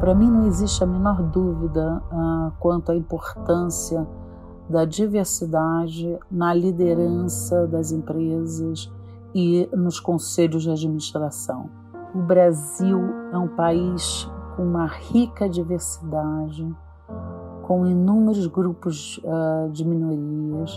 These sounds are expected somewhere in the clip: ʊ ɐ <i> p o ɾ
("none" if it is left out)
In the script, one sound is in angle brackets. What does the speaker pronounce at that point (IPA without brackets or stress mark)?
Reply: ĩ